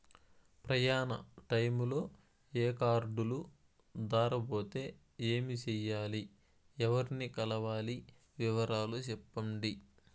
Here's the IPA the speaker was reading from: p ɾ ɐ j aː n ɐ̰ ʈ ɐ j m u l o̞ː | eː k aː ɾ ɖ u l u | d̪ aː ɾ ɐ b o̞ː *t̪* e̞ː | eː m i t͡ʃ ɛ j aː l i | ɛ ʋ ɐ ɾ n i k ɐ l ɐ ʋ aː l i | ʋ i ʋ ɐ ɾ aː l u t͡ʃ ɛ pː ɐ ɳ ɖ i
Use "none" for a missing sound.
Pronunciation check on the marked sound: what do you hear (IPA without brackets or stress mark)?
t̪